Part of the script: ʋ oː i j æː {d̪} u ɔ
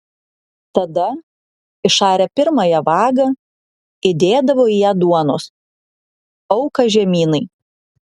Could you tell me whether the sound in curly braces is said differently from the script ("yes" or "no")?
no